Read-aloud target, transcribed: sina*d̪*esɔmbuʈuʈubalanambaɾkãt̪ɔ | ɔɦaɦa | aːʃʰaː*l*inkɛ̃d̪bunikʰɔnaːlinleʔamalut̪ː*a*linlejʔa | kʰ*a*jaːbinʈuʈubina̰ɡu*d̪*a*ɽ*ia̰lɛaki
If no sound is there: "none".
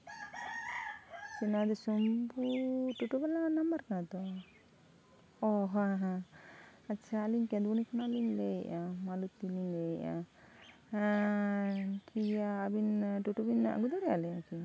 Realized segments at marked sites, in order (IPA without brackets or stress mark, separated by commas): d̪, l, i, i, d̪, ɾ